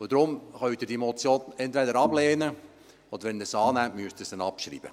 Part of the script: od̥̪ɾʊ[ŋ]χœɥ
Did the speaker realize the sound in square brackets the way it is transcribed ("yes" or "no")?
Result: no